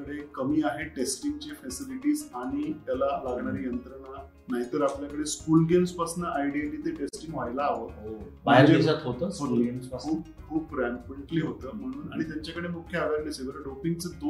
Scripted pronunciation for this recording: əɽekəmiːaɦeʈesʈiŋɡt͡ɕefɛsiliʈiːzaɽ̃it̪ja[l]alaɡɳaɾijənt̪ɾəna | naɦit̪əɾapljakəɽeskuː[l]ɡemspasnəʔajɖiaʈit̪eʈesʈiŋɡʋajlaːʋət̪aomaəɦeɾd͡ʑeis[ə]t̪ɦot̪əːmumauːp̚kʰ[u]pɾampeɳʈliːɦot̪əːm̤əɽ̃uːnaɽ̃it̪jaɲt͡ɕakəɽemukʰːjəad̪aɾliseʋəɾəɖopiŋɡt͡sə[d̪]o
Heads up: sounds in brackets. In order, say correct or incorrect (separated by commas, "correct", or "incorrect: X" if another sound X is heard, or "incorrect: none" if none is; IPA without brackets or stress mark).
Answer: correct, correct, incorrect: a, incorrect: uː, correct